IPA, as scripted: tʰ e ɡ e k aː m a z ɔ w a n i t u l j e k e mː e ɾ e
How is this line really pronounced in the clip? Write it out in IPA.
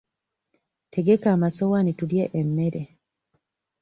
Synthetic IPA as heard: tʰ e ɡ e k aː m a s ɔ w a n i t u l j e ʔ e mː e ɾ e